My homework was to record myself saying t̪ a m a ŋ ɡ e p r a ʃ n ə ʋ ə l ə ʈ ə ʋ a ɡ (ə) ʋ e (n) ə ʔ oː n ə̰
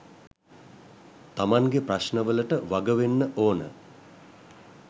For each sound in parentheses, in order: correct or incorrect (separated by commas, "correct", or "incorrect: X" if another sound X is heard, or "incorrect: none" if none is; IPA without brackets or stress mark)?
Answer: correct, incorrect: nː